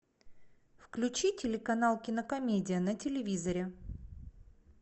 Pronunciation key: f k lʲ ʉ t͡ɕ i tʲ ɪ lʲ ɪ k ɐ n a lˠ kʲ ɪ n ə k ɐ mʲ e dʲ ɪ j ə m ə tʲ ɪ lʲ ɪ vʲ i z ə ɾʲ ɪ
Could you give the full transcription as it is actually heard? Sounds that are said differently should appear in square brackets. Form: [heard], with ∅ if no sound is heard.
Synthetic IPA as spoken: f k lʲ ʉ t͡ɕ i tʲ ɪ lʲ ɪ k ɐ n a lˠ kʲ ɪ n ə k ɐ mʲ e dʲ ɪ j ə [n] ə tʲ ɪ lʲ ɪ vʲ i z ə ɾʲ ɪ